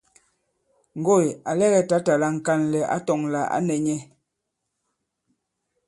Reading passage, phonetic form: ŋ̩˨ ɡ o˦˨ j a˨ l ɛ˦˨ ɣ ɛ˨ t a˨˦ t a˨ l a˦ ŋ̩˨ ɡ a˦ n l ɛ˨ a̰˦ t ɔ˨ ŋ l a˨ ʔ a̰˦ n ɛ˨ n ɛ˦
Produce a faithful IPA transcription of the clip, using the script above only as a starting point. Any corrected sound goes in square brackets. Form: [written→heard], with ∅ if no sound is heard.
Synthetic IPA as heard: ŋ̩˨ ɡ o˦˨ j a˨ l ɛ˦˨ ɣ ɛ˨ t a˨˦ t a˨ l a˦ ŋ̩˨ [ɡ→k] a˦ n l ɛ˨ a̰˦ t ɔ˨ ŋ l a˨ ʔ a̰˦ n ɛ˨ [n→ɲ] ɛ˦